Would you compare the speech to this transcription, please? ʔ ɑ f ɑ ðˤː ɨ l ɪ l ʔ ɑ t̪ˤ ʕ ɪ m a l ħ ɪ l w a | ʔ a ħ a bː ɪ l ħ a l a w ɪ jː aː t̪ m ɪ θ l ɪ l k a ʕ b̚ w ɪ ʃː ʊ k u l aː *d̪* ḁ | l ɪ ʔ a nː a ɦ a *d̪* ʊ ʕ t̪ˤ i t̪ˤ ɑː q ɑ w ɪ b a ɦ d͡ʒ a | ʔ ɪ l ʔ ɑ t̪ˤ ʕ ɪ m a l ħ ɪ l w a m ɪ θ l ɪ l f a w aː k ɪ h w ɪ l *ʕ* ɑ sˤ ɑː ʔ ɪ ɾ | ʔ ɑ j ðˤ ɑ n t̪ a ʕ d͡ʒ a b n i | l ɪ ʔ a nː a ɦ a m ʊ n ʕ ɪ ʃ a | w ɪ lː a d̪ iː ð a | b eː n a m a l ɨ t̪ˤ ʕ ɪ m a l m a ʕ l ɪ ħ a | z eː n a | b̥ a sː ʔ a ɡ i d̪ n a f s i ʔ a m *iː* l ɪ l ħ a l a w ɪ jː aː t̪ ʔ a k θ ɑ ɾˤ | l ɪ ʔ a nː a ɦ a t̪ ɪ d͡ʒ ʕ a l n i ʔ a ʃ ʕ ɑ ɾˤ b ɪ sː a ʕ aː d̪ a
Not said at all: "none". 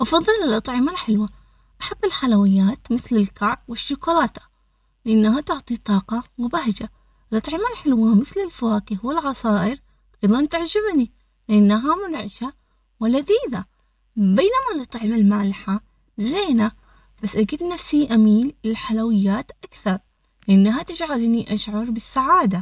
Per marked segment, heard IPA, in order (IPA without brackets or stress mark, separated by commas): t̪, t̪, ʕ, iː